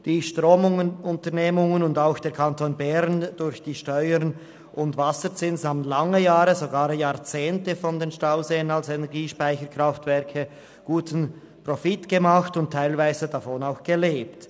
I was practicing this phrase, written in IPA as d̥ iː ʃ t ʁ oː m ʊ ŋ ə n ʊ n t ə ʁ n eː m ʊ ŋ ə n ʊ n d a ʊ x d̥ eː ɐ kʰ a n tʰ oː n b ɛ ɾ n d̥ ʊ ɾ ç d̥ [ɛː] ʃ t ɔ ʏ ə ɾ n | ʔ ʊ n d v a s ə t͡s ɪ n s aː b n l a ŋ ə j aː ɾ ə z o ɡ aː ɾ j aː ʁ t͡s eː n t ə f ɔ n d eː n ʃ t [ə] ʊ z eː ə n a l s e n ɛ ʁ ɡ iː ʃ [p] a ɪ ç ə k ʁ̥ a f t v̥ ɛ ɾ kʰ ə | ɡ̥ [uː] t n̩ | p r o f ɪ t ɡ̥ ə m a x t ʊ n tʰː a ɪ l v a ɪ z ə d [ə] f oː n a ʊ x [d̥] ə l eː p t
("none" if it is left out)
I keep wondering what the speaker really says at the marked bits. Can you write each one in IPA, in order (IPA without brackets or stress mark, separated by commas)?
iː, a, p, uː, a, ɡ̥